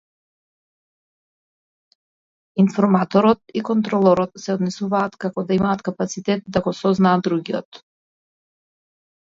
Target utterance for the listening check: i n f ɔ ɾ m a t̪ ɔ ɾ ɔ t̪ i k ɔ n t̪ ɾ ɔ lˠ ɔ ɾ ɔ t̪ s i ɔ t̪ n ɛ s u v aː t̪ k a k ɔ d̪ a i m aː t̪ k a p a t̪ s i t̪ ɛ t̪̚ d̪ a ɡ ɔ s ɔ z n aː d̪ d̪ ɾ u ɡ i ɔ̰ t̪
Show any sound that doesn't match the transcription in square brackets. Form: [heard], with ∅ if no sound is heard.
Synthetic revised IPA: i n f ɔ ɾ m a t̪ ɔ ɾ ɔ t̪ i k ɔ n t̪ ɾ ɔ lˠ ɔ ɾ ɔ t̪ s [ɛ] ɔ [d̪] n ɛ s u v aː t̪ k a k ɔ d̪ a i m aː t̪ k a p a t̪ s i t̪ ɛ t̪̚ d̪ a ɡ ɔ s ɔ z n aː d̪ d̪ ɾ u ɡ i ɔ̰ t̪